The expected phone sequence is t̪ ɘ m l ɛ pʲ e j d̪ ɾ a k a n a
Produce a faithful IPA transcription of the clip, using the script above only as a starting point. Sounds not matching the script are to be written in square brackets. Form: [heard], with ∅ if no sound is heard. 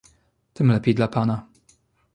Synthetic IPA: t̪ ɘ m l ɛ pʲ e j d̪ [l] a [p] a n a